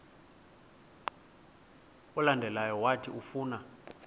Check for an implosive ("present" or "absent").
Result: absent